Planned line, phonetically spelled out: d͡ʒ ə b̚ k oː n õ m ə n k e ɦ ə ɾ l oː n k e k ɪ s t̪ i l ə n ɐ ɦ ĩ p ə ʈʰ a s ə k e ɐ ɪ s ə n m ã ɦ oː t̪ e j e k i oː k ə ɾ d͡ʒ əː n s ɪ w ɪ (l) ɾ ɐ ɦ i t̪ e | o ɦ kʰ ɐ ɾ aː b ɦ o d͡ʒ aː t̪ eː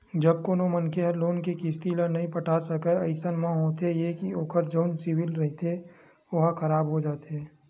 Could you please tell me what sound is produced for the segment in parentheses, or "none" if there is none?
l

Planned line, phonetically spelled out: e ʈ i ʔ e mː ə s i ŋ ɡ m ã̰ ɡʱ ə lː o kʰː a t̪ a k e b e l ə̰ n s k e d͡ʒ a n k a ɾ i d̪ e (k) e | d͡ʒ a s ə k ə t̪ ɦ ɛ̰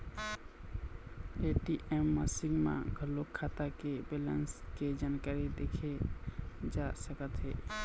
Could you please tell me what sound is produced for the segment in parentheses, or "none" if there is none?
kʰ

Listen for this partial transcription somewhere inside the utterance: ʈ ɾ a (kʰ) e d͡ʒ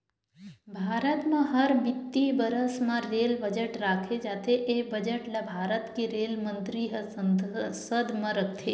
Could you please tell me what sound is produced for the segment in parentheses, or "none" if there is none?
kʰ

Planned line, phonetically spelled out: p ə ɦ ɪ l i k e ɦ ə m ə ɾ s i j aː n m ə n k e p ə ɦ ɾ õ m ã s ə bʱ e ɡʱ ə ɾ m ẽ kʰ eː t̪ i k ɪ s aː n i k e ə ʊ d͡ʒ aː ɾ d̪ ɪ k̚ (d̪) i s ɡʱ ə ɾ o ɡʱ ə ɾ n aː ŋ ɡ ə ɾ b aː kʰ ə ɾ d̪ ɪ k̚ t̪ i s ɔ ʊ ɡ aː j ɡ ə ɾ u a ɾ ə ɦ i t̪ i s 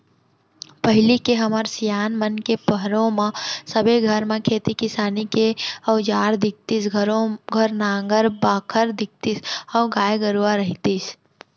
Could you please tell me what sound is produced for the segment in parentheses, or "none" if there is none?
t̪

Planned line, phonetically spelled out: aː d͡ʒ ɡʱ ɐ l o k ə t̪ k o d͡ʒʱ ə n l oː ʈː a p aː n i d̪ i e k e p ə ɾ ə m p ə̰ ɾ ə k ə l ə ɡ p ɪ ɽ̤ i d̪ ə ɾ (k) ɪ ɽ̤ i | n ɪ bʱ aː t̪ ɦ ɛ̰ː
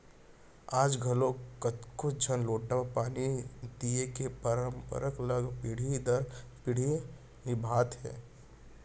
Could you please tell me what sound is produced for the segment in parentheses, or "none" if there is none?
p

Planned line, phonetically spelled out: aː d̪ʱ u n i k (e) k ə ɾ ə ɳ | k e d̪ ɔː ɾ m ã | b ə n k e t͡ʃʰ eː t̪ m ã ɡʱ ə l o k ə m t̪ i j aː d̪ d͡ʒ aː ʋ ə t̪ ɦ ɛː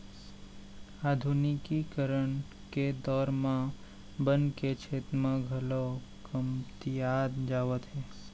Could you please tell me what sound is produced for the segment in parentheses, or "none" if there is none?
i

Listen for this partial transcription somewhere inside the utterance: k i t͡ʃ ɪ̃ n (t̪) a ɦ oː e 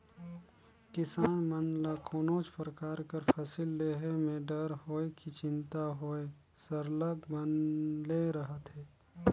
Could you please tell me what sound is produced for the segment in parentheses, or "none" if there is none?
t̪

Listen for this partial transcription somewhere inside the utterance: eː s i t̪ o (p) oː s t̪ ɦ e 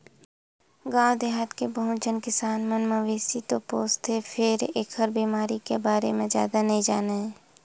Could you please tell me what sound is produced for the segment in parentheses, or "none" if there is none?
p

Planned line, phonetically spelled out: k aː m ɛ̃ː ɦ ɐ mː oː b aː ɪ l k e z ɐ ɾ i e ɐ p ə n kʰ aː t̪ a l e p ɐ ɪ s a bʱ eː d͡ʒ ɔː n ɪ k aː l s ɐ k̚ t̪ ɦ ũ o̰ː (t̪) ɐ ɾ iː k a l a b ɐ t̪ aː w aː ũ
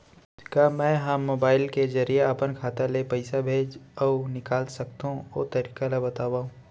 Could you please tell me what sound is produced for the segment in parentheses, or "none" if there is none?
t̪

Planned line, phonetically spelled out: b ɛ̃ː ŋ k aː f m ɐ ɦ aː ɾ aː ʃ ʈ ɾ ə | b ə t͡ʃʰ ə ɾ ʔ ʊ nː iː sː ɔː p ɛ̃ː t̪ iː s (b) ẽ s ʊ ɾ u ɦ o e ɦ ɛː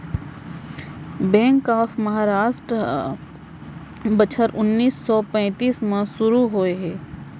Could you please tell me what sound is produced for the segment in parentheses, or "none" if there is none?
m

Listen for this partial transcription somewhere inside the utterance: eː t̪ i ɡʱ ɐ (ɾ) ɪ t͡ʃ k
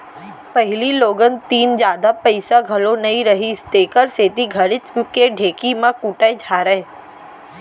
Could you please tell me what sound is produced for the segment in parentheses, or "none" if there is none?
ɾ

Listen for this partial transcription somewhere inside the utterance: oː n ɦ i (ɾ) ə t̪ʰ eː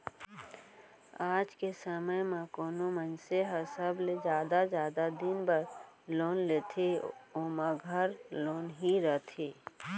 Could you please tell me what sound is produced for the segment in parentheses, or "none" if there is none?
ɾ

